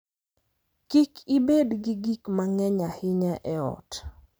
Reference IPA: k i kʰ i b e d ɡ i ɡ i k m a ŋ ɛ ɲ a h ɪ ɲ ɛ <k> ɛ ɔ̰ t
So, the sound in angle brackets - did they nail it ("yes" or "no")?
no